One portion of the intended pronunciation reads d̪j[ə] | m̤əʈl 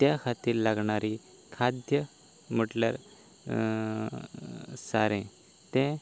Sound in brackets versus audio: correct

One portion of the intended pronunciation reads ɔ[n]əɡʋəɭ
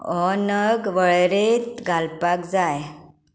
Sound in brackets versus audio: correct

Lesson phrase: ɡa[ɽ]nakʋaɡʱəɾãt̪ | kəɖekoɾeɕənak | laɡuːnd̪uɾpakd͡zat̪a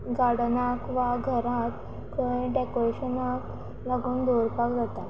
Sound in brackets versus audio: correct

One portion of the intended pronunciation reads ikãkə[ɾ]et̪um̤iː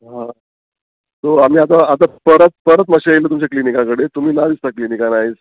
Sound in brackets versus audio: incorrect: ɽ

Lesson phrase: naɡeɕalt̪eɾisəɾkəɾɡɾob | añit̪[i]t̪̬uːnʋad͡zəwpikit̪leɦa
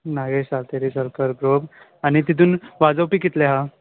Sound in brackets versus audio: correct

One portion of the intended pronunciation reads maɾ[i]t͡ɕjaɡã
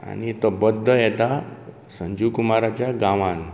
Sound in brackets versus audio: incorrect: a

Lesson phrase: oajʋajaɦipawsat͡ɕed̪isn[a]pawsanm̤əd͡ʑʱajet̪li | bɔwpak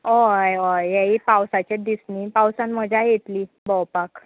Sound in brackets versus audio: incorrect: i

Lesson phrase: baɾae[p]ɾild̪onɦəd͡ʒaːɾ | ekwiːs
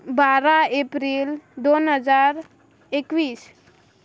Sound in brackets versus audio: correct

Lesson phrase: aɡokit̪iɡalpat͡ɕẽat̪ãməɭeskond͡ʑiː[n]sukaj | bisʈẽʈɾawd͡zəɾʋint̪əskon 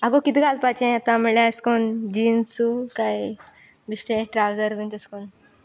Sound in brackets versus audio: correct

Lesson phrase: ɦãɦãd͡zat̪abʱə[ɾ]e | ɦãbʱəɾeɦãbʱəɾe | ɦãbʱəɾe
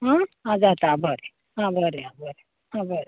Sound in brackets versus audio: correct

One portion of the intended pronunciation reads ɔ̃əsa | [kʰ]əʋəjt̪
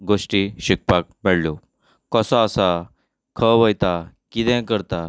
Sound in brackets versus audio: correct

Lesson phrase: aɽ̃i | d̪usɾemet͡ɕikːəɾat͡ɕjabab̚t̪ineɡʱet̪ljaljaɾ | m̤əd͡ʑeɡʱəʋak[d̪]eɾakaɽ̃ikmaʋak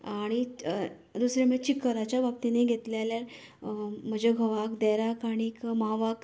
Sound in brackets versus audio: correct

